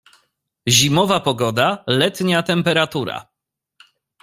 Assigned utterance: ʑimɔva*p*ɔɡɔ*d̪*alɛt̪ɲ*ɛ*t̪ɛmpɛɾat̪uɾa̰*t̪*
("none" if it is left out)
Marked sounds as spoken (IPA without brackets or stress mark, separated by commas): p, d̪, a, none